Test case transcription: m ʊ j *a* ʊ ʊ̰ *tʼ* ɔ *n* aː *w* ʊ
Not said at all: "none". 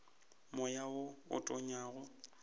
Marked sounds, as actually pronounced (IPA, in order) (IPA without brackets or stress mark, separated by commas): a, tʼ, ɲ, ɣ